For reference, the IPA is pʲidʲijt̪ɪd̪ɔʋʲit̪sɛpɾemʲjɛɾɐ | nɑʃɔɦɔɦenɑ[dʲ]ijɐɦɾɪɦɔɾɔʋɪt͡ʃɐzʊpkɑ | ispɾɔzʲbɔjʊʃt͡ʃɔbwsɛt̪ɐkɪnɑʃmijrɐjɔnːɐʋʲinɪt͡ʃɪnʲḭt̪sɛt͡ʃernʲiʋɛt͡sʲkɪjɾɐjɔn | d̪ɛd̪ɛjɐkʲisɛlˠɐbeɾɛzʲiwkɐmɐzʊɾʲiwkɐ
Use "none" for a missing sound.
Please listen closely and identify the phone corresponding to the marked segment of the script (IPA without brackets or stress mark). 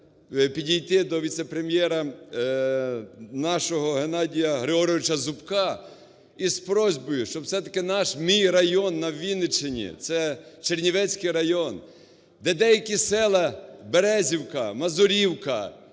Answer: dʲ